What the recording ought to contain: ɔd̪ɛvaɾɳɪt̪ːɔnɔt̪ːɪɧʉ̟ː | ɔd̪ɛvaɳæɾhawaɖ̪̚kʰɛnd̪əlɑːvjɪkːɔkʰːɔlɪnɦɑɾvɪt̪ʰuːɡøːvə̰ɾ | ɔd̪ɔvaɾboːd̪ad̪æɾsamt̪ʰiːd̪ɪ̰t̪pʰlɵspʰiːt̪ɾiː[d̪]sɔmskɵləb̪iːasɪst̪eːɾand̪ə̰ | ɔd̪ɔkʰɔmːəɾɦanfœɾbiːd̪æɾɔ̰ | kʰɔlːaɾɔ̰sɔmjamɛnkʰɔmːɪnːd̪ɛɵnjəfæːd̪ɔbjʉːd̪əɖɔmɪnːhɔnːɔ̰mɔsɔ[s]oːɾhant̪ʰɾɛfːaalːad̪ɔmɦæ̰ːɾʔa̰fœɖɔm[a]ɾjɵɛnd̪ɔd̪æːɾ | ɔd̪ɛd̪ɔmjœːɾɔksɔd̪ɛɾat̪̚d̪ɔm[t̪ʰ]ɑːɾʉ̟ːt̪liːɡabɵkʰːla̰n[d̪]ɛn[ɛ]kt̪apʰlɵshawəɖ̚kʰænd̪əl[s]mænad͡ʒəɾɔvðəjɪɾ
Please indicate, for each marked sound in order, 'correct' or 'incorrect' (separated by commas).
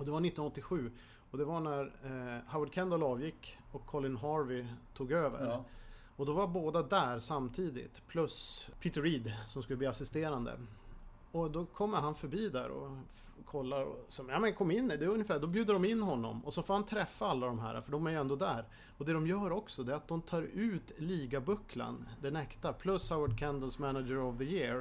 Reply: correct, incorrect, incorrect, correct, correct, correct, correct